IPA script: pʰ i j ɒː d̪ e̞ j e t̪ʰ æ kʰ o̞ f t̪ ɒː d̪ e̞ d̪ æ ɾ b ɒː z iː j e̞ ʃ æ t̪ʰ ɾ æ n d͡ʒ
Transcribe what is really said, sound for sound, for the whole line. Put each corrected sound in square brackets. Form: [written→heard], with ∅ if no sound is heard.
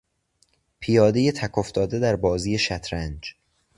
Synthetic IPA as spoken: pʰ i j ɒː d̪ e̞ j e t̪ʰ æ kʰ o̞ f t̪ ɒː d̪ e̞ d̪ æ ɾ b ɒː z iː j e̞ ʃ æ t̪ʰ ɾ æ n d͡ʒ